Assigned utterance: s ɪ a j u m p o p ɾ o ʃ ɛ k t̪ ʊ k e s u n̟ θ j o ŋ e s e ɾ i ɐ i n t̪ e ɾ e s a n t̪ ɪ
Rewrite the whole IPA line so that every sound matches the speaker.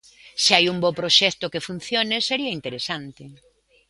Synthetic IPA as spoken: s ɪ a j u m b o p ɾ o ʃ ɛ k t̪ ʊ k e f u n̟ θ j o n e s e ɾ i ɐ i n t̪ e ɾ e s a n t̪ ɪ